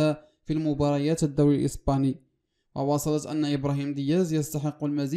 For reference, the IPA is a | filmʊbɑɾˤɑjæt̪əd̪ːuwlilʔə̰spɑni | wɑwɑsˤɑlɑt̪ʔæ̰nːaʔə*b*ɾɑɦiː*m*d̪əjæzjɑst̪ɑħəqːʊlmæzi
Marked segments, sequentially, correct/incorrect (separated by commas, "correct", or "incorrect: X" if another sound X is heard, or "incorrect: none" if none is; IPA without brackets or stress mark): correct, correct